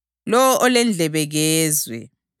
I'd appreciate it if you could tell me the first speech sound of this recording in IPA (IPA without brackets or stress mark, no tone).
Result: l